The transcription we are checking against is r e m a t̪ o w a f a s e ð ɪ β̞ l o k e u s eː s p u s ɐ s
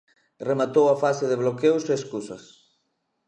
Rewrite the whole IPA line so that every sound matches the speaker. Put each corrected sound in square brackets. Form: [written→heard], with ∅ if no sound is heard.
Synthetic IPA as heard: r e m a t̪ o w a f a s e ð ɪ β̞ l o k e [u→w] s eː s [p→k] u s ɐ s